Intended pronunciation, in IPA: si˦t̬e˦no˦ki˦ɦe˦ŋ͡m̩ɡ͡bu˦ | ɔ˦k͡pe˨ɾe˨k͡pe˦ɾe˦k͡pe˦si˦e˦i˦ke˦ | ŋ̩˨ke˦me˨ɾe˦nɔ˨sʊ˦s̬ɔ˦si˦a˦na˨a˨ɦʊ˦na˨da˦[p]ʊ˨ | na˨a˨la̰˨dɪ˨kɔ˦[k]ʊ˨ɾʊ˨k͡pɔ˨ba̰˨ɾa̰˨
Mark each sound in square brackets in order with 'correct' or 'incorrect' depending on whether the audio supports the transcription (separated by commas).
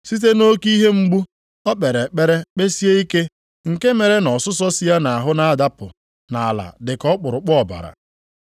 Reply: correct, incorrect